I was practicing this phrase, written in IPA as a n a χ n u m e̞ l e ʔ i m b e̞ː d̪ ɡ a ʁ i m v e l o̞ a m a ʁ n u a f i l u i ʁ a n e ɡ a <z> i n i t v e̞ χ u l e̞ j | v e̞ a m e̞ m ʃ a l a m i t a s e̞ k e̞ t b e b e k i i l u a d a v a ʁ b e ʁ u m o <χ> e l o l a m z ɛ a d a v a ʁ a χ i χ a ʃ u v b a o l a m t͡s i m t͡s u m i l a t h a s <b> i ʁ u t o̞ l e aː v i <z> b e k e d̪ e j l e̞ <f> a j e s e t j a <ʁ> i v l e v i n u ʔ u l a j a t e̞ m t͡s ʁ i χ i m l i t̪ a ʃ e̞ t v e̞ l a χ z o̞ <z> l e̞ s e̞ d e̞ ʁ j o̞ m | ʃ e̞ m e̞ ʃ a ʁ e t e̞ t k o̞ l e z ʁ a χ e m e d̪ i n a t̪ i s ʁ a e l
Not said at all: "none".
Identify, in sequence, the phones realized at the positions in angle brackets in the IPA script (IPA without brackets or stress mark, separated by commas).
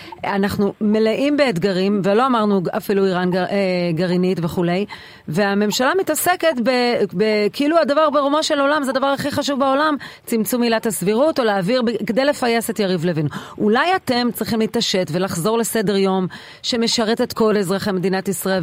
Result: ʁ, ʃ, v, ʁ, f, ʁ, ʁ